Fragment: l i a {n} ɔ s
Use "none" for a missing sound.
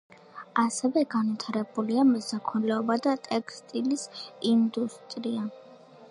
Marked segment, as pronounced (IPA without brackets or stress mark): m